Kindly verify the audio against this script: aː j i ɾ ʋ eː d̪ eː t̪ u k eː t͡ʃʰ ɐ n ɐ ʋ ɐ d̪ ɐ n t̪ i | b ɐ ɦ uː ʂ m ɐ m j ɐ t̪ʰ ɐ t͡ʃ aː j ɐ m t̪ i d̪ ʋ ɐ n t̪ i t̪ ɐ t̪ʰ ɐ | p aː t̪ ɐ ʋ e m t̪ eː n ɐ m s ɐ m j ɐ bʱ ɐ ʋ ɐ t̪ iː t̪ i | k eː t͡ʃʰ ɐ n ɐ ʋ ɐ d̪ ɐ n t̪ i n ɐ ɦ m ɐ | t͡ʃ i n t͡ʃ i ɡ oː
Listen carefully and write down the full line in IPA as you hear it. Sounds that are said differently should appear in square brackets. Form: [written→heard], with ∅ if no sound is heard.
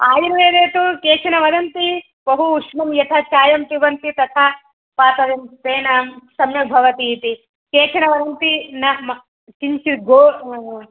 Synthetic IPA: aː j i ɾ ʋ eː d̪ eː t̪ u k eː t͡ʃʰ ɐ n ɐ ʋ ɐ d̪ ɐ n t̪ i | b ɐ ɦ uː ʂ m ɐ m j ɐ t̪ʰ ɐ t͡ʃ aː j ɐ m t̪ i [d̪→∅] ʋ ɐ n t̪ i t̪ ɐ t̪ʰ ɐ | p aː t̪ ɐ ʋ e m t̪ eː n ɐ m s ɐ m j ɐ bʱ ɐ ʋ ɐ t̪ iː t̪ i | k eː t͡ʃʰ ɐ n ɐ ʋ ɐ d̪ ɐ n t̪ i n ɐ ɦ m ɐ | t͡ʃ i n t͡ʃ i ɡ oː